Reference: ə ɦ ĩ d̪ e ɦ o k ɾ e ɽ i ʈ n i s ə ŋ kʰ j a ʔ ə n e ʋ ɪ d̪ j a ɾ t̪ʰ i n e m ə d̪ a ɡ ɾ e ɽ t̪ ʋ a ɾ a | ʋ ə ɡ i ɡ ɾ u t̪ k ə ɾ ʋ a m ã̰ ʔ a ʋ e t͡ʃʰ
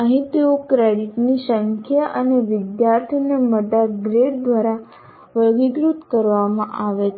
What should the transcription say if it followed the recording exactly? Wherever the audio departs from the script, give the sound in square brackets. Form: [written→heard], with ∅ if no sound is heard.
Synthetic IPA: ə ɦ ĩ [d̪→t̪] e [ɦ→∅] o k ɾ e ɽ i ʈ n i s ə ŋ kʰ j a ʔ ə n e ʋ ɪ d̪ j a ɾ t̪ʰ i n e m ə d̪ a ɡ ɾ e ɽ [t̪→d̪] ʋ a ɾ a | ʋ ə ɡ i ɡ ɾ u t̪ k ə ɾ ʋ a m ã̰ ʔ a ʋ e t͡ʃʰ

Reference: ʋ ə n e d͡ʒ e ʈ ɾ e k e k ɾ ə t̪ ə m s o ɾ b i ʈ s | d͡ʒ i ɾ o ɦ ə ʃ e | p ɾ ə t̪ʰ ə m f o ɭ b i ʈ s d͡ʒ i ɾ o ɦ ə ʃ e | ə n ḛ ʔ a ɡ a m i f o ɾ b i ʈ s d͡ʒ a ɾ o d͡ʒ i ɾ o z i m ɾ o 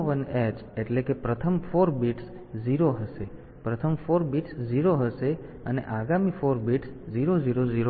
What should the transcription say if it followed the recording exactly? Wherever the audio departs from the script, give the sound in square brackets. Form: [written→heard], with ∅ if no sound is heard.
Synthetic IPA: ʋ ə n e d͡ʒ e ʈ [ɾ→l] e k e [k→p] ɾ ə [t̪→t̪ʰ] ə m [s→f] o ɾ b i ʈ s | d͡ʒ i ɾ o ɦ ə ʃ e | p ɾ ə t̪ʰ ə m f o [ɭ→ɾ] b i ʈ s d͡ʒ i ɾ o ɦ ə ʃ e | ə n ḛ ʔ a ɡ a m i f o ɾ b i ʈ s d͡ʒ [a→i] ɾ o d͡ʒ i ɾ o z i [m→∅] ɾ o

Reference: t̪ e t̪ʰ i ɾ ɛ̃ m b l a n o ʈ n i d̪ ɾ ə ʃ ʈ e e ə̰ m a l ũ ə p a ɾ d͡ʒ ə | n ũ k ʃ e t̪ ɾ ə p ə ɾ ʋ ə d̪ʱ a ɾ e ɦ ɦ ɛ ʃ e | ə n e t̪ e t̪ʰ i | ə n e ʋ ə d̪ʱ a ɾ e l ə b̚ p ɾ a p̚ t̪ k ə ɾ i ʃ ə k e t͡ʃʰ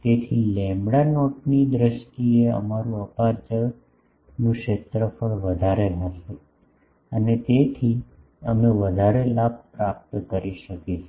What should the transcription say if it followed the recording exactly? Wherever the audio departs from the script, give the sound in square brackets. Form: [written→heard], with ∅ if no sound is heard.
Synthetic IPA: t̪ e t̪ʰ i [ɾ→l] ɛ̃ m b [l→ɽ] a n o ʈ n i d̪ ɾ ə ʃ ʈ [e→i] e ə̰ m a [l→ɾ] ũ ə p a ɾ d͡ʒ ə | n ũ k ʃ e t̪ ɾ ə p ə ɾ ʋ ə d̪ʱ a ɾ e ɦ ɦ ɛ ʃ e | ə n e t̪ e t̪ʰ i | ə [n→m] e ʋ ə d̪ʱ a ɾ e l [ə→a] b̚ p ɾ a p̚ t̪ k ə ɾ i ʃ ə k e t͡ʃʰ

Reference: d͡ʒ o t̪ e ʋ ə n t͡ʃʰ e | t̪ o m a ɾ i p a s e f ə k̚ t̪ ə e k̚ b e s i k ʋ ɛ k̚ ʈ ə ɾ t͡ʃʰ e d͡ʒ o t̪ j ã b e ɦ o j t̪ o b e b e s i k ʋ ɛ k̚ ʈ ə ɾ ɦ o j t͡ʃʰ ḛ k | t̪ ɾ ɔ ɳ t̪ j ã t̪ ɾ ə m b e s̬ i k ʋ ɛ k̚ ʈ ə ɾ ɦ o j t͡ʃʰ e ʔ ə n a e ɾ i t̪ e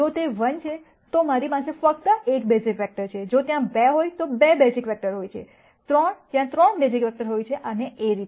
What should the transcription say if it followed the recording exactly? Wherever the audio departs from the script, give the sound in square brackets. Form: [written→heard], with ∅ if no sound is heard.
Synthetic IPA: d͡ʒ o t̪ e ʋ ə n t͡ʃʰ e | t̪ o m a ɾ i p a s e f ə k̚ t̪ ə e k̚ b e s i k ʋ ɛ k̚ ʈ ə ɾ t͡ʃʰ e d͡ʒ o t̪ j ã b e ɦ o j t̪ o b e b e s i k ʋ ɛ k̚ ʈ ə ɾ ɦ o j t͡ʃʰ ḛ [k→∅] | t̪ ɾ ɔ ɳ t̪ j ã t̪ ɾ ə [m→ɳ] b e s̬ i k ʋ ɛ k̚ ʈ ə ɾ ɦ o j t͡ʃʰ e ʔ ə n [a→e] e ɾ i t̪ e

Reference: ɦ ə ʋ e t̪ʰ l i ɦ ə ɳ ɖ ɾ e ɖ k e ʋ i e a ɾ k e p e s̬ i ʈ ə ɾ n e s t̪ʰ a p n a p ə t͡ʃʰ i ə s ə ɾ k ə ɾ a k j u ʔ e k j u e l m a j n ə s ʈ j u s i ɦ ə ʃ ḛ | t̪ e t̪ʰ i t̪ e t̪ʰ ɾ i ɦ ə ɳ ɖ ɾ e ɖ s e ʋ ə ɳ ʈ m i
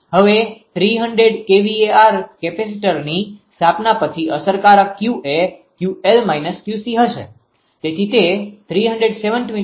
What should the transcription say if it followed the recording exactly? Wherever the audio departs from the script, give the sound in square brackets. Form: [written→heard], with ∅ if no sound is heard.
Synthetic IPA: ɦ ə ʋ e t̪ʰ [l→ɾ] i ɦ ə ɳ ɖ ɾ e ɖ k e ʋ i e a ɾ k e p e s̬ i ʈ ə ɾ n [e→i] s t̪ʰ a p n a p ə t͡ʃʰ i ə s ə ɾ k [ə→a] ɾ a k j u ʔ e k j u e l m a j n ə s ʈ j u s i ɦ ə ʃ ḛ | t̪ e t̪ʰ i t̪ e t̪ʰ ɾ i ɦ ə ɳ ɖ ɾ e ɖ s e ʋ ə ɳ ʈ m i

